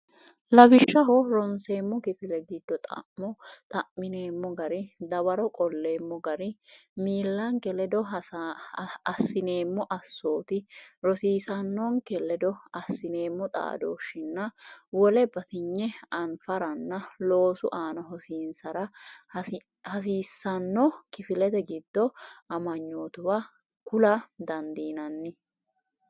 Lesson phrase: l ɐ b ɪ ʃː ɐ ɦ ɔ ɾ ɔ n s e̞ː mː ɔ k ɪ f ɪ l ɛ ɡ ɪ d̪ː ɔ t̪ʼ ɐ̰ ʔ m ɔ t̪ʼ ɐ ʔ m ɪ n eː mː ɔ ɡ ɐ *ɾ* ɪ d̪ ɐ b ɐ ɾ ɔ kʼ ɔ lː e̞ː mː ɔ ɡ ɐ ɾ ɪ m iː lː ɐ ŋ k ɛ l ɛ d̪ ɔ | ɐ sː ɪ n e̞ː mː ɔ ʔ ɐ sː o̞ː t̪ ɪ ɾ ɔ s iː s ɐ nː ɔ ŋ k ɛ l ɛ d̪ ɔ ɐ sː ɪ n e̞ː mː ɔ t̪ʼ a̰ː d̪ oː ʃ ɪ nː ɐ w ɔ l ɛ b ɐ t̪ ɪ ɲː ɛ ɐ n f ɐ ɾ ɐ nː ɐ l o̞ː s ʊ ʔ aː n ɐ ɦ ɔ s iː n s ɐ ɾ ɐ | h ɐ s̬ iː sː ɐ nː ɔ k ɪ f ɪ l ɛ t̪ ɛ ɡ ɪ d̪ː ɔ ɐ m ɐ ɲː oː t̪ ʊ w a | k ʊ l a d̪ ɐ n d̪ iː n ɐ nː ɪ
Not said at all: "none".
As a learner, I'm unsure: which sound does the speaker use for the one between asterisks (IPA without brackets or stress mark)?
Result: ɾ